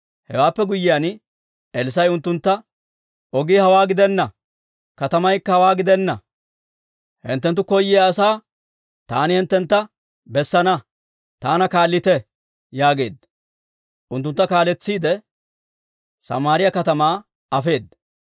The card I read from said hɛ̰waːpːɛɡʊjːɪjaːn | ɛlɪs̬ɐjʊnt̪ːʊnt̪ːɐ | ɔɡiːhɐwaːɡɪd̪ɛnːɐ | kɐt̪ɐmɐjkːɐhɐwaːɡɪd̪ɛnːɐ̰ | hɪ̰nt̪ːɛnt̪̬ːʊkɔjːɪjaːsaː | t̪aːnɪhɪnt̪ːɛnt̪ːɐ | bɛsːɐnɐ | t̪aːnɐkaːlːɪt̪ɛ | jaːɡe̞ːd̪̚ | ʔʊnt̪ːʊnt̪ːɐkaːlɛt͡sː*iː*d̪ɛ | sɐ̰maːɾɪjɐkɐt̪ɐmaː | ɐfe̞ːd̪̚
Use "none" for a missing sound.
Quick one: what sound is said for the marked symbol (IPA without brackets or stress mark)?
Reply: iː